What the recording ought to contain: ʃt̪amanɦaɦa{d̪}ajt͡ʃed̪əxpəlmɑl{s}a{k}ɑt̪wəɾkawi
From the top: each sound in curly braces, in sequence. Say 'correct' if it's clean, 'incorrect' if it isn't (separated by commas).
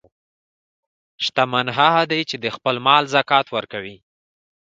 correct, incorrect, correct